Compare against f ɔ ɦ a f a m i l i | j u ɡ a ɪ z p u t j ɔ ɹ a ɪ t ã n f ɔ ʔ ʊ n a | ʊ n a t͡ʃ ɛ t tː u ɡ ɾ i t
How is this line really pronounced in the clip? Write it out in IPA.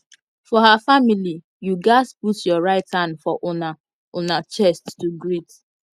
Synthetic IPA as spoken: f ɔ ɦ a f a m i l i | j u ɡ a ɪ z p u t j ɔ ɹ a ɪ t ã n f ɔ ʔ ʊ n a | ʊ n a t͡ʃ ɛ s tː u ɡ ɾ i t

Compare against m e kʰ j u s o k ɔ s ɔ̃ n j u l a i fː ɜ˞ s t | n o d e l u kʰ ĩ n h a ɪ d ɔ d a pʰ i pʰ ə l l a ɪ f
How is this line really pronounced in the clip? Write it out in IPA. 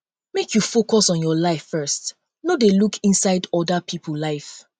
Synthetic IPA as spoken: m e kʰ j u f o k ɔ s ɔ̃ n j ɔ l a ɪ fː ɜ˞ s t | n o d e l u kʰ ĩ n s a ɪ d ɔ d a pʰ i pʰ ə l l a ɪ f

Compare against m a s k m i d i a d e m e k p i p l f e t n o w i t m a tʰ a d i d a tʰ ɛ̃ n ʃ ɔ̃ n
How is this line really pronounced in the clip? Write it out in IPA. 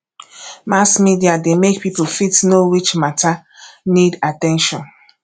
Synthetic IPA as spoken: m a s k m i d i a d e m e k p i p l f i t n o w i t͡ʃ m a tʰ a n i d a t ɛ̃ n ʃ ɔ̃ n

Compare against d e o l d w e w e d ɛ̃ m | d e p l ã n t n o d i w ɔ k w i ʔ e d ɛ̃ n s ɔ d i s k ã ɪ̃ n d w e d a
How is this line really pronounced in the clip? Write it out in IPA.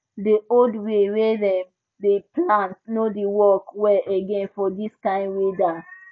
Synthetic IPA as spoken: d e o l d w e w e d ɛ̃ m | d e p l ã n t n o d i w ɔ k w ɛ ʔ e ɡ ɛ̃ n f ɔ d i s k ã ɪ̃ n d w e d a

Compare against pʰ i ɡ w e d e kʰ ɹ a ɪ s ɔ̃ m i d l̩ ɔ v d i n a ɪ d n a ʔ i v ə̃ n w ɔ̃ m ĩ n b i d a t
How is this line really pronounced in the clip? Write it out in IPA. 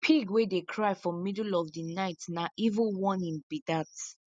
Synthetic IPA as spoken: pʰ i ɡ w e d e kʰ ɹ a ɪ f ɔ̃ m i d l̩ ɔ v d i n a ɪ t n a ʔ i v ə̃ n w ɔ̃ n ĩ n b i d a t

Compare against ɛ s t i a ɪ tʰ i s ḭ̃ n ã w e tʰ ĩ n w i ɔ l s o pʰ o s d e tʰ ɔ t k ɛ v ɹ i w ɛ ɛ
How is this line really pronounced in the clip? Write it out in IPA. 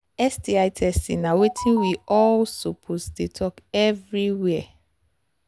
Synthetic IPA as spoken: ɛ s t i a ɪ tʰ ɛ s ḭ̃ n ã w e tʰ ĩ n w i ɔ l s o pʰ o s d e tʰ ɔ k ɛ v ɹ i w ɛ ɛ

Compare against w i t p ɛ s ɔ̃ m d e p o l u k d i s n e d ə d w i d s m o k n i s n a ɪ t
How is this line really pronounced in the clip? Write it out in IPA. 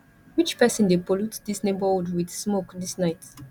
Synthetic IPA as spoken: w i t͡ʃ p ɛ s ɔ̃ n d e p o l u t d i s n e b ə d w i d s m o k d i s n a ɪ t

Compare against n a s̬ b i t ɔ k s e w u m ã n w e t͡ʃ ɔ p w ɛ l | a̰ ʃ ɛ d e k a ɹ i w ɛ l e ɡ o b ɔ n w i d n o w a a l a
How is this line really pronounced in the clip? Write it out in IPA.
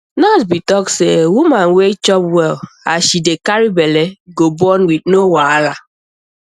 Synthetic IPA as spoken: n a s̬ b i t ɔ k s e w u m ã n w e t͡ʃ ɔ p w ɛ l | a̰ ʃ i d e k a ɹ i b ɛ l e ɡ o b ɔ n w i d n o w a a l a

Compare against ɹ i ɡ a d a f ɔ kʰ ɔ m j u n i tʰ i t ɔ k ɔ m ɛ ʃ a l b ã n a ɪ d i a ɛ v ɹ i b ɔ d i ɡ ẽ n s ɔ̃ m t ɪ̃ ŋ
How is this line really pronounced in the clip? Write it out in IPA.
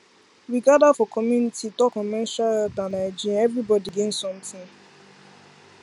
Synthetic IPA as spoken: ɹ i ɡ a d a f ɔ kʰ ɔ m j u n i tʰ i t ɔ k ɔ m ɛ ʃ a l d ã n a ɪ d͡ʒ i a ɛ v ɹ i b ɔ d i ɡ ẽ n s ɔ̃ m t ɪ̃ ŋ

